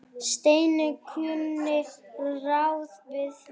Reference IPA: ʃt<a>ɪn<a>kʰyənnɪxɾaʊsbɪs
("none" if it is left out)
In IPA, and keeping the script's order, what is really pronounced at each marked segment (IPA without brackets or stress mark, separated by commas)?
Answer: e, ə